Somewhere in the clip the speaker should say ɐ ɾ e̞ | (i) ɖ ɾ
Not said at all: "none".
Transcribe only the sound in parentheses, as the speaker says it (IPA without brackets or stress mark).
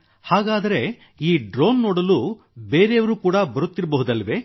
iː